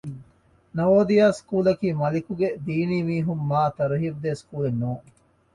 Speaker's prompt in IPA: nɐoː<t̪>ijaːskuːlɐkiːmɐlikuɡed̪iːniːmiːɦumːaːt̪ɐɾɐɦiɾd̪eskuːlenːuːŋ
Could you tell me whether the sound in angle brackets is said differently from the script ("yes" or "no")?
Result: yes